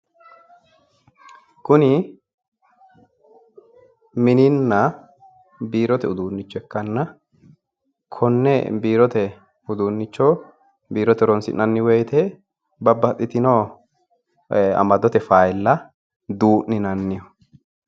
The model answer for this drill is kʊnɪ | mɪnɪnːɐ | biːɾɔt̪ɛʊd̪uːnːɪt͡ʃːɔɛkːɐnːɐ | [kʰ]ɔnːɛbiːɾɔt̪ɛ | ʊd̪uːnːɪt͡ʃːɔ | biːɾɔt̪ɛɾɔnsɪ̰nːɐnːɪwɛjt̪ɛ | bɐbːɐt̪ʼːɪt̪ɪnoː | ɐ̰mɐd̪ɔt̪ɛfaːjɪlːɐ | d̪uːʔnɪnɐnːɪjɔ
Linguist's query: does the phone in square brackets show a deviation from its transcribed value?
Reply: no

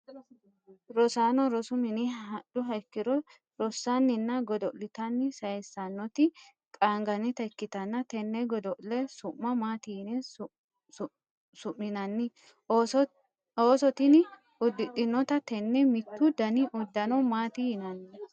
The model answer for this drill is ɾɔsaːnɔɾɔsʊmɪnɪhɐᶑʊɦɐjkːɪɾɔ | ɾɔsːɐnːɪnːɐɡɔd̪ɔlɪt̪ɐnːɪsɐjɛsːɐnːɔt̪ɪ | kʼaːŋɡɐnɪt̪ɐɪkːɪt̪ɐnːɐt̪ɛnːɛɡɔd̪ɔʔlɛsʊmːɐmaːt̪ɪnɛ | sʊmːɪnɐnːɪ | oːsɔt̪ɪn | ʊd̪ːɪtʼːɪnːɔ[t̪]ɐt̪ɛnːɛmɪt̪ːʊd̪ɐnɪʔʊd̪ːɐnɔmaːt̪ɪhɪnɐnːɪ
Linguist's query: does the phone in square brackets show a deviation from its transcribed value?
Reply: no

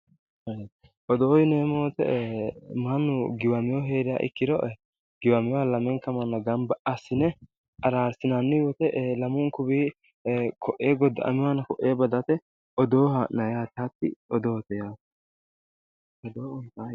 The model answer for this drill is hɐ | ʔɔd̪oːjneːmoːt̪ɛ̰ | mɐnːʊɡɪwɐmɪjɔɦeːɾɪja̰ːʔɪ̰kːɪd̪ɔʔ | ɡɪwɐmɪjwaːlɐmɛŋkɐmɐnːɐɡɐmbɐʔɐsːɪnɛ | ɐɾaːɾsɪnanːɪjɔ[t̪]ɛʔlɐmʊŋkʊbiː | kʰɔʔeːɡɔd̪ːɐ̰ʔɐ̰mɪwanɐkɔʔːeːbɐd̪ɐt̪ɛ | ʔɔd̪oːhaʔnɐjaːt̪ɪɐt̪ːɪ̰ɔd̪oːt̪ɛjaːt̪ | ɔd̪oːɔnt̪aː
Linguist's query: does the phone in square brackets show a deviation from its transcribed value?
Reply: no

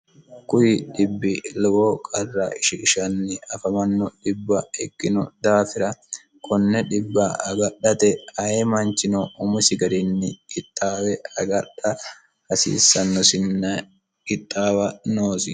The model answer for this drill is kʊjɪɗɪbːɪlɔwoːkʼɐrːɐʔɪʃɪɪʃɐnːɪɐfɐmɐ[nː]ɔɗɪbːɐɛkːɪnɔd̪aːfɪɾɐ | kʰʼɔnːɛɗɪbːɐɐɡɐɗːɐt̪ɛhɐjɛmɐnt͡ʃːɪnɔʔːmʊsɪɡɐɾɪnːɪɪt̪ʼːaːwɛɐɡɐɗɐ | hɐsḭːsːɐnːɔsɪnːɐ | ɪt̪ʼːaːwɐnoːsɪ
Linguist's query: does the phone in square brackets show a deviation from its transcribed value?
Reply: no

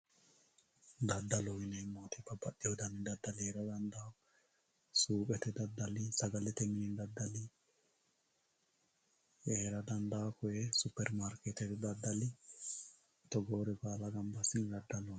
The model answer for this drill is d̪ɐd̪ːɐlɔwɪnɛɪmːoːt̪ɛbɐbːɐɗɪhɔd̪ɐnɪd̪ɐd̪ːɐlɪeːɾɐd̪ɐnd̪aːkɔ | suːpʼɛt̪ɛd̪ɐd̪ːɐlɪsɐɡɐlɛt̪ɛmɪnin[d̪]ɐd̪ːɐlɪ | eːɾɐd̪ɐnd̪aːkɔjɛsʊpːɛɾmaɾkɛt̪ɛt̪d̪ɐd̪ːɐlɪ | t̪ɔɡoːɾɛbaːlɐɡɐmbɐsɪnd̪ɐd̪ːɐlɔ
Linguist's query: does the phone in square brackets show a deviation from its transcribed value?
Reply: no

